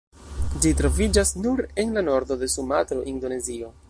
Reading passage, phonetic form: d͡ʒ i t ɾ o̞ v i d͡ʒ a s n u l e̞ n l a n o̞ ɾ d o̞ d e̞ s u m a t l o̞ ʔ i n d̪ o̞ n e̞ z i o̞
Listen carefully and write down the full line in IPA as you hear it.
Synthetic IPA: d͡ʒ i t ɾ o̞ v i d͡ʒ a s n u ɾ e̞ n l a n o̞ ɾ d o̞ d e̞ s u m a t ɾ o̞ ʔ i n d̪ o̞ n e̞ z i o̞